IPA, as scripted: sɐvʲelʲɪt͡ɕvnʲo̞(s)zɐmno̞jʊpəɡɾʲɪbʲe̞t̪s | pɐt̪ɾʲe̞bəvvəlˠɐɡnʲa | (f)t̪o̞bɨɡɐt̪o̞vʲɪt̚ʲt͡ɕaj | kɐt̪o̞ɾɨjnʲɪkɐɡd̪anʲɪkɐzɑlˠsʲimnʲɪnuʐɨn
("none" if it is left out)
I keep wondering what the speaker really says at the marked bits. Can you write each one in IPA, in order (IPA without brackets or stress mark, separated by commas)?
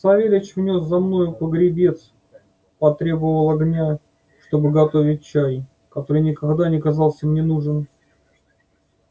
s, ʂ